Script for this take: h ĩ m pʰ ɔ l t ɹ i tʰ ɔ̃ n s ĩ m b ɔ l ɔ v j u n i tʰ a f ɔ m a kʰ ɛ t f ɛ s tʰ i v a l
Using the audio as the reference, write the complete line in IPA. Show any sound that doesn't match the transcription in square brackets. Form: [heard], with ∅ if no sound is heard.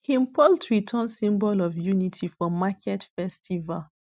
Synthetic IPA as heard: h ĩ m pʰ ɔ l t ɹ i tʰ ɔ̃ n s ĩ m b ɔ l ɔ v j u n i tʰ [i] f ɔ m a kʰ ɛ t f ɛ s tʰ i v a l

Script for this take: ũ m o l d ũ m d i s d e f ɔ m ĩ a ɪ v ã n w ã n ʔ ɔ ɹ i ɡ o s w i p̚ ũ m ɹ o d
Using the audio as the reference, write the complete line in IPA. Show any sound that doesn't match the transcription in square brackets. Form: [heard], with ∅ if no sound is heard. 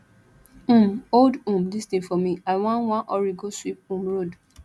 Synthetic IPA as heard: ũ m o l d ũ m d i s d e f ɔ m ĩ a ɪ [w] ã n w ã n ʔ ɔ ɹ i ɡ o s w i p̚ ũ m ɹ o d

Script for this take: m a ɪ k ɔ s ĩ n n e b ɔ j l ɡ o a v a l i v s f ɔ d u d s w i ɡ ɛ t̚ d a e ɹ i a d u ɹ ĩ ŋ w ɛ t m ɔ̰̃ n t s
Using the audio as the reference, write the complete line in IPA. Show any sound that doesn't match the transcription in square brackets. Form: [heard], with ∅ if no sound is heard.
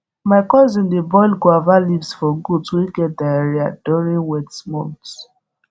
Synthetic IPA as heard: m a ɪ k ɔ [z] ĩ n [d] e b ɔ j l ɡ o a v a l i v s f ɔ [ɡ] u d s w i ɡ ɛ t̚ d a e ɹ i a d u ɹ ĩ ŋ w ɛ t m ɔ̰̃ n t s

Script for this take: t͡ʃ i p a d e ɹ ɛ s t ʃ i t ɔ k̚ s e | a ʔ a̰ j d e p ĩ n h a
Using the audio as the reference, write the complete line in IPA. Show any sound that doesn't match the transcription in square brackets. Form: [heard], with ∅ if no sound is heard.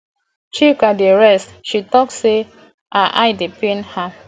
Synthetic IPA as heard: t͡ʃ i [k] a d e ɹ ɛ s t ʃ i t ɔ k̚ s e | a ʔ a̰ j d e p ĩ n h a

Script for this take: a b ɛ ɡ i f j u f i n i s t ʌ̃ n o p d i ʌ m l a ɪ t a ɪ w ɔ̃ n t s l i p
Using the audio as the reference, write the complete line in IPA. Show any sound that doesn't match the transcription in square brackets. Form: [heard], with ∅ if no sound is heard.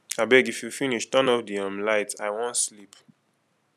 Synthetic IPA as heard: a b ɛ ɡ i f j u f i n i [ʃ] t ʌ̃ n [ɔ] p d i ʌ m l a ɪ t a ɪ w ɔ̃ n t s l i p

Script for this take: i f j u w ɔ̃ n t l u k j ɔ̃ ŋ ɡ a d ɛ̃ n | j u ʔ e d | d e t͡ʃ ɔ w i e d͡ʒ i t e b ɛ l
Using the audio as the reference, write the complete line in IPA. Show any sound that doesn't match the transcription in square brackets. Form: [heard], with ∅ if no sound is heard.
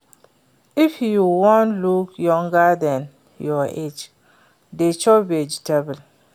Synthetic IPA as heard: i f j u w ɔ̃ n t l u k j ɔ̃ ŋ ɡ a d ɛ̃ n | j [ɔ] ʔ e [d͡ʒ] | d e t͡ʃ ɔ [b] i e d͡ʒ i t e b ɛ l

